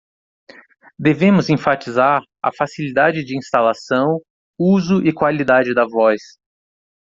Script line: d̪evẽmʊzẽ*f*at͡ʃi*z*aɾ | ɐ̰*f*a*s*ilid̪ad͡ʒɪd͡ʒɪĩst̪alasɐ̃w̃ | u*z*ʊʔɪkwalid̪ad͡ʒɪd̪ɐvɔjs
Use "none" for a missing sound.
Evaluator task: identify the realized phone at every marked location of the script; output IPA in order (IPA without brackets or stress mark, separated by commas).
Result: f, z, f, s, z